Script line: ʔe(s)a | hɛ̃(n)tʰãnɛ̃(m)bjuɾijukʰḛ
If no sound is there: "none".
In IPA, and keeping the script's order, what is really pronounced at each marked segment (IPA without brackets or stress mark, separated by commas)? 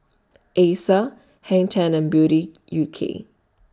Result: s, ŋ, n